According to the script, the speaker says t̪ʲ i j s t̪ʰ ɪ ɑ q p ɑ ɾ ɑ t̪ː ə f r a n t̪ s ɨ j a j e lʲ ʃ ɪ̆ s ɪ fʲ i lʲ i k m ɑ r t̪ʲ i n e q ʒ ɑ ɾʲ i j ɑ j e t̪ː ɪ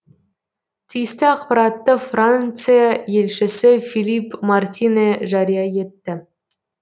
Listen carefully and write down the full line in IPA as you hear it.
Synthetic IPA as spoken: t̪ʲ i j s t̪ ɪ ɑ q p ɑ ɾ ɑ t̪ː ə f r a n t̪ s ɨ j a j e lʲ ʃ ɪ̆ s ɪ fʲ i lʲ i p m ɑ r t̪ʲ i n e ʒ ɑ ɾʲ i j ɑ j e t̪ː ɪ